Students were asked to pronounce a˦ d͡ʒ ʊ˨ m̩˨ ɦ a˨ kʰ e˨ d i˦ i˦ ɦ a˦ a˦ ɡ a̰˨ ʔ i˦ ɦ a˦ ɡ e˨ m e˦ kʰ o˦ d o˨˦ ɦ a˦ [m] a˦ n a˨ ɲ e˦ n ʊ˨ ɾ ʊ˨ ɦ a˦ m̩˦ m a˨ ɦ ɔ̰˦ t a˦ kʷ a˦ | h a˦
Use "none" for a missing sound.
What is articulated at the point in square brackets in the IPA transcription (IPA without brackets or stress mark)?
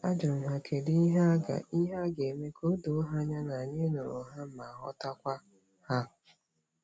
ɲ